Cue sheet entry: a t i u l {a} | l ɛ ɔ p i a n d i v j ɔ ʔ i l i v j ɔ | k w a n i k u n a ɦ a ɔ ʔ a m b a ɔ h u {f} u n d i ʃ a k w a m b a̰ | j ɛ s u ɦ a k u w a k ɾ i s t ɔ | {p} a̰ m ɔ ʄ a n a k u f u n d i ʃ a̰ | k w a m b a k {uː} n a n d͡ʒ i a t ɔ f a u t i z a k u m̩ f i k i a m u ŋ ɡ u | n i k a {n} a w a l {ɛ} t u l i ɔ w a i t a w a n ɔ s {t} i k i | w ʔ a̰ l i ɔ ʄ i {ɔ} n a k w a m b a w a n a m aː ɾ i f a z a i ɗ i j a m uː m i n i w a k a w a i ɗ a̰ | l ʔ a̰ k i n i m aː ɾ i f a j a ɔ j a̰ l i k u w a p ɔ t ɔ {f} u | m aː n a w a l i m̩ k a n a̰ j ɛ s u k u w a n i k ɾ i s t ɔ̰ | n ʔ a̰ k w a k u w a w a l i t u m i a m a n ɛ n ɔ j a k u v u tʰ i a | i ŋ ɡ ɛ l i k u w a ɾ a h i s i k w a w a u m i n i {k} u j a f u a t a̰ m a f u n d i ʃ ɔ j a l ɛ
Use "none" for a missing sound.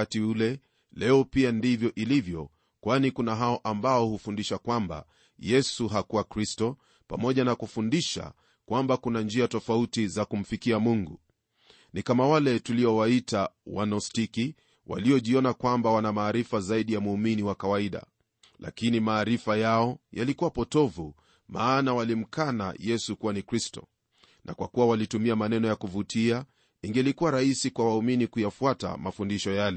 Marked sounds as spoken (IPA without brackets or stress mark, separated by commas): ɛ, f, p, u, m, ɛ, t, ɔ, v, k